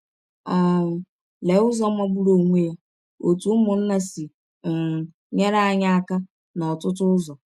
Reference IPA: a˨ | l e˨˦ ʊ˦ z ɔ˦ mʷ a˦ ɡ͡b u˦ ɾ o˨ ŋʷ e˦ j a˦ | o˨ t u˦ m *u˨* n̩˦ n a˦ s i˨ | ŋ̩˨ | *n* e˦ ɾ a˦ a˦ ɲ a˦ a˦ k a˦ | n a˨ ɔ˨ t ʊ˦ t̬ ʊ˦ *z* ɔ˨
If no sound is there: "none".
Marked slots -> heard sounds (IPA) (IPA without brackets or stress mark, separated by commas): ʊ˨, ɲ, z